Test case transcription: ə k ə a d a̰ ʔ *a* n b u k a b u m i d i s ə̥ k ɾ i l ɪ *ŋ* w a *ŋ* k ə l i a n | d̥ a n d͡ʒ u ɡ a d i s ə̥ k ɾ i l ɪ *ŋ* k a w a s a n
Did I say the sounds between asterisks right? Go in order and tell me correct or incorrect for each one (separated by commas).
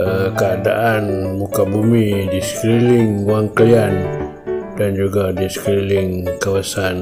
correct, correct, correct, correct